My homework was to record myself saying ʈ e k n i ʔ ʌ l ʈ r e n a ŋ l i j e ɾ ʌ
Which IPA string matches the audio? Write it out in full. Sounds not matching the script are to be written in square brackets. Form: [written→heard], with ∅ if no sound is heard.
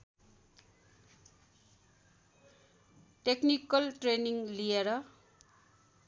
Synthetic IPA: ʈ e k n i [ʔ→k] ʌ l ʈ r e n [a→i] ŋ l i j e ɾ ʌ

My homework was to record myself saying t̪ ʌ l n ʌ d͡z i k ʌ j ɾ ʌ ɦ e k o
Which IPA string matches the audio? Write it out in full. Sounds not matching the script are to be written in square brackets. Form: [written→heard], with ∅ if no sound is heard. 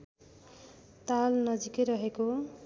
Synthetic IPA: t̪ [ʌ→a] l n ʌ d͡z i k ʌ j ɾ ʌ ɦ e k o

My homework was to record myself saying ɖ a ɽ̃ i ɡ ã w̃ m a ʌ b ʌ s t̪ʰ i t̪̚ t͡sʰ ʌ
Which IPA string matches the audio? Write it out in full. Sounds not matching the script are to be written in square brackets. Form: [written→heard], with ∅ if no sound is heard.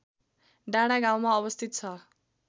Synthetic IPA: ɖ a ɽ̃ [i→a] ɡ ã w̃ m a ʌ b ʌ s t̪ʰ i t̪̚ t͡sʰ ʌ

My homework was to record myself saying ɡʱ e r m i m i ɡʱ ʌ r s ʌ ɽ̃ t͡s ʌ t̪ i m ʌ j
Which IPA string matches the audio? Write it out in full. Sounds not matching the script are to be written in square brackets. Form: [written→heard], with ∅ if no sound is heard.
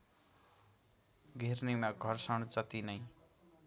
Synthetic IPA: ɡʱ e r [m→n] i m [i→a] ɡʱ ʌ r s ʌ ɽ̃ t͡s ʌ t̪ i [m→n] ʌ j

